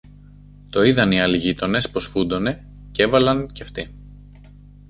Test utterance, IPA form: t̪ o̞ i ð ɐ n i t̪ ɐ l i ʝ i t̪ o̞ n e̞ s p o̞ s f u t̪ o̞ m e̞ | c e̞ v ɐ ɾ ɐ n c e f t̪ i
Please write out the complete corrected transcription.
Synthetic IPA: t̪ o̞ i ð ɐ n i ɐ l i ʝ i t̪ o̞ n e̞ s p o̞ s f u d̪ o̞ n e̞ | c e̞ v ɐ l ɐ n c e f t̪ i